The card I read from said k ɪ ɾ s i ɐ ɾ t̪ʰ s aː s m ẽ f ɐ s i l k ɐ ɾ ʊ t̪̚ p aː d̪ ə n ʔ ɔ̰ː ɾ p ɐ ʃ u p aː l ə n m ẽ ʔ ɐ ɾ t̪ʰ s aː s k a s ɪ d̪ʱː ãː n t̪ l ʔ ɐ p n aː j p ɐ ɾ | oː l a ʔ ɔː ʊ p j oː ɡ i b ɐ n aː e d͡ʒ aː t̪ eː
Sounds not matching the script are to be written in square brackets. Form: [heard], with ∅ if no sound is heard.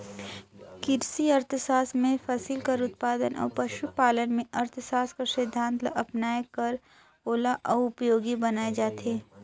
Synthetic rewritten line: k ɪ ɾ s i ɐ ɾ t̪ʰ s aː s m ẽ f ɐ s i l k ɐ ɾ ʊ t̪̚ p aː d̪ ə n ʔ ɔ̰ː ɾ p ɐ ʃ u p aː l ə n m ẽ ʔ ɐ ɾ t̪ʰ s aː s k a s ɪ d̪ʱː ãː n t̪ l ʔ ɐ p n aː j [k] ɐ ɾ | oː l a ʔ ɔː ʊ p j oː ɡ i b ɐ n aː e d͡ʒ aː t̪ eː